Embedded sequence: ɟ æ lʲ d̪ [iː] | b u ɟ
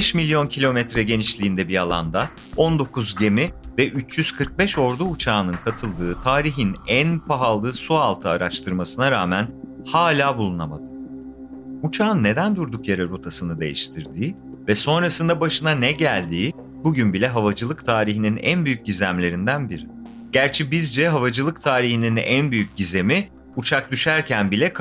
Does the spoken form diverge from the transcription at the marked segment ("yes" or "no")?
no